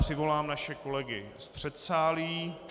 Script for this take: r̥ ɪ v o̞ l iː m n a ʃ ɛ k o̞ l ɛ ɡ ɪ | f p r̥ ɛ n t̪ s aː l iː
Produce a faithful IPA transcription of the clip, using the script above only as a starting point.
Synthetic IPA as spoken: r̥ ɪ v o̞ l aː m n a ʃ ɛ k o̞ l ɛ ɡ ɪ | s p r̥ ɛ t̪ s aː l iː